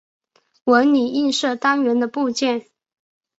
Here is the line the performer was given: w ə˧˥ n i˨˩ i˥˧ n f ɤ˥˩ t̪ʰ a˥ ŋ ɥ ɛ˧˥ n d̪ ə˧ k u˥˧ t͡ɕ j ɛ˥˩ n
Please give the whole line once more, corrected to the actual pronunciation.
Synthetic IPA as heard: w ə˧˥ n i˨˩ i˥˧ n ʂ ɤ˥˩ t̪ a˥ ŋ ɥ ɛ˧˥ n d̪ ə˧ p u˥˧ t͡ɕ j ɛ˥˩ n